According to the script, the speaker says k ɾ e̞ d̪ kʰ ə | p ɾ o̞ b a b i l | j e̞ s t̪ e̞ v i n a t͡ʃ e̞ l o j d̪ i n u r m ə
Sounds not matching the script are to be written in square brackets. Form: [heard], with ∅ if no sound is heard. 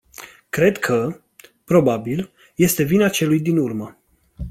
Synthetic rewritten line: k ɾ e̞ d̪ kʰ ə | p ɾ o̞ b a b i l | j e̞ s t̪ e̞ v i n a t͡ʃ e̞ l [u] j d̪ i n u r m ə

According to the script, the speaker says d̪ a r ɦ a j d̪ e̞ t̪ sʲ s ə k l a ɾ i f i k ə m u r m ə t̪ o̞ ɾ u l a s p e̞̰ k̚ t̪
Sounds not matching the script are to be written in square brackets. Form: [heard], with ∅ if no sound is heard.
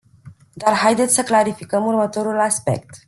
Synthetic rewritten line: d̪ a r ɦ a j d̪ e̞ t̪ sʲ s ə k l a ɾ i f i k ə m u r m ə t̪ o̞ ɾ u l a s p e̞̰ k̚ t̪

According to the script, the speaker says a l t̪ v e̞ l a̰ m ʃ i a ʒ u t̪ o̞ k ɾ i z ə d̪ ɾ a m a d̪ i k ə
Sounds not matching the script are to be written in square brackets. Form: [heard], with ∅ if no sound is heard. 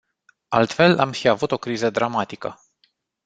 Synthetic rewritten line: a l t̪ [f] e̞ l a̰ m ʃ i a [v] u t̪ o̞ k ɾ i z ə d̪ ɾ a m a [t̪] i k ə

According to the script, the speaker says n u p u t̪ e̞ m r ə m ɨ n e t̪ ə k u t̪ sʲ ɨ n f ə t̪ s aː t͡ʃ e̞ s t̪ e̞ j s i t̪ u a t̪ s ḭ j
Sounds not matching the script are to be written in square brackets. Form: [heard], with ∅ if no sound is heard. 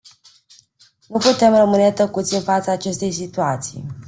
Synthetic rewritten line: n u p u t̪ e̞ m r ə m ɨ n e t̪ ə k u t̪ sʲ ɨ n f [a] t̪ s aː t͡ʃ e̞ s t̪ e̞ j s i t̪ u a t̪ s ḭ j

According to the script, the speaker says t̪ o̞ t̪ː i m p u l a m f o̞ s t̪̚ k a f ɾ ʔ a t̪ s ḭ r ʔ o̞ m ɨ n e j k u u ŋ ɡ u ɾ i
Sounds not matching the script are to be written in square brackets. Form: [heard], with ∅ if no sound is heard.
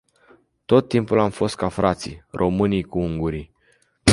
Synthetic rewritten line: t̪ o̞ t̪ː i m p u l a m f o̞ s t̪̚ k a f ɾ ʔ a t̪ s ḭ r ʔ o̞ m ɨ n [i] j k u u ŋ ɡ u ɾ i

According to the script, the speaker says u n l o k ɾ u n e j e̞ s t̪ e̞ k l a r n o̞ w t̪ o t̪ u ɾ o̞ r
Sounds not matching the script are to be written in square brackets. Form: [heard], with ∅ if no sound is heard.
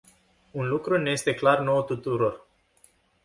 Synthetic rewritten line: u n l [u] k ɾ u n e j e̞ s t̪ e̞ k l a r n o̞ w t̪ [u] t̪ u ɾ o̞ r

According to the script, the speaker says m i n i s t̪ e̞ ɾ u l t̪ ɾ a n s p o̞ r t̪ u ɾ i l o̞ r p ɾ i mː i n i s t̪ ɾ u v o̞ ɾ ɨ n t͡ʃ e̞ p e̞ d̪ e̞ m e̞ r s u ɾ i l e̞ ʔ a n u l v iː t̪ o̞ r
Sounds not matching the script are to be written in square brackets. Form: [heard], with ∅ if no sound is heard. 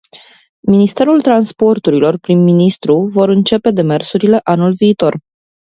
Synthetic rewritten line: m i n i s t̪ e̞ ɾ u l t̪ ɾ a n s p o̞ r t̪ u ɾ i l o̞ r p ɾ i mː i n i s t̪ ɾ u v o̞ ɾ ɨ n t͡ʃ e̞ p e̞ d̪ e̞ m e̞ r s u ɾ i l e̞ ʔ a n u l v iː t̪ o̞ r

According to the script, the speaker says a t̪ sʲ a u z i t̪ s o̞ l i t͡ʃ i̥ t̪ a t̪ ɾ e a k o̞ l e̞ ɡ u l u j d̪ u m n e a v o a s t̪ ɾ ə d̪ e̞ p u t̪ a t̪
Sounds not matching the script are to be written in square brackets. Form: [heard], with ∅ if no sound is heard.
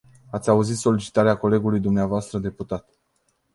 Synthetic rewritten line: a t̪ sʲ a u z i t̪ s o̞ l i t͡ʃ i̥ t̪ a [∅] ɾ e a k o̞ l e̞ ɡ u l u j d̪ u m n e a v o a s t̪ ɾ ə d̪ e̞ p u t̪ a t̪

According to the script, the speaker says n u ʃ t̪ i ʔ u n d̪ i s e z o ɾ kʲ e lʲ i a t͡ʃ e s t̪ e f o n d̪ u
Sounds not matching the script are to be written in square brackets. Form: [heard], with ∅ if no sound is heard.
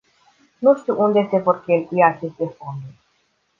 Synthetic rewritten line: n u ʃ t̪ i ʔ u n d̪ [e] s e [v] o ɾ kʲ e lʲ i a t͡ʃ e s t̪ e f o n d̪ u

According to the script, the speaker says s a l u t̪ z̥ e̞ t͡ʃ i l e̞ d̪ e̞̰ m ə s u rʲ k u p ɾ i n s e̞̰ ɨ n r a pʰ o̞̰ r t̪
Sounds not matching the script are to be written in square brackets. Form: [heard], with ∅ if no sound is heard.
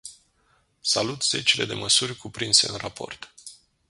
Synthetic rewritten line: s a l u t̪ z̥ e̞ t͡ʃ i l e̞ d̪ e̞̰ m ə s u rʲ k u p ɾ i n s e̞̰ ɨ n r a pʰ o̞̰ r t̪

